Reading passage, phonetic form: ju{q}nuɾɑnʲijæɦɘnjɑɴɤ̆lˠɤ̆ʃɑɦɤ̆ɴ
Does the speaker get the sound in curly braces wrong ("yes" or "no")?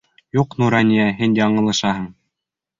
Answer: no